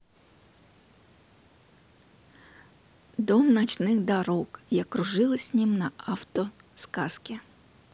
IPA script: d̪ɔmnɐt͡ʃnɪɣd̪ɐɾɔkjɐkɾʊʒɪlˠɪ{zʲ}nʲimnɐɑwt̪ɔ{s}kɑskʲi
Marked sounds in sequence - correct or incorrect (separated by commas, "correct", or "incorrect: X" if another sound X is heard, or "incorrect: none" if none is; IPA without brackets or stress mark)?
incorrect: sʲ, correct